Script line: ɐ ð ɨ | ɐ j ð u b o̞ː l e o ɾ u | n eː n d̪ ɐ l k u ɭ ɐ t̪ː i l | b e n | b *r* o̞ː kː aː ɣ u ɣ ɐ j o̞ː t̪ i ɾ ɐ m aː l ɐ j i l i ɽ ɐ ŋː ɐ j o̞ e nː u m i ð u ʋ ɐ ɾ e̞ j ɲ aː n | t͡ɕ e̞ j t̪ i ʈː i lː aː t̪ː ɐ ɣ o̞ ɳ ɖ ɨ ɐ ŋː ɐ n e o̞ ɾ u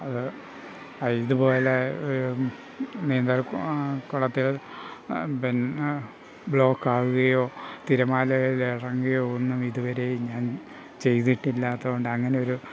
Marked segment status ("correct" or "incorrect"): incorrect